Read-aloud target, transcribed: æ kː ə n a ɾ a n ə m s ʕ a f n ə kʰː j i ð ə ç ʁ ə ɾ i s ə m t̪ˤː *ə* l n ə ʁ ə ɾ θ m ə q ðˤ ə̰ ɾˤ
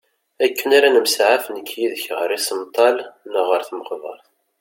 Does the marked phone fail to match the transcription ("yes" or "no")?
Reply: yes